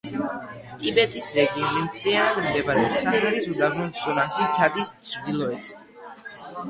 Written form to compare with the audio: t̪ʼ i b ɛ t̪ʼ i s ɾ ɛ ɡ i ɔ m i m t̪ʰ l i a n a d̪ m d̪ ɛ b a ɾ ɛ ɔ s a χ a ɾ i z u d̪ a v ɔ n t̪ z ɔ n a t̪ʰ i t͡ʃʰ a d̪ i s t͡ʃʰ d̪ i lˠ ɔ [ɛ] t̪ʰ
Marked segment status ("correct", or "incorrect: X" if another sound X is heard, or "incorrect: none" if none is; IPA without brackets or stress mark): correct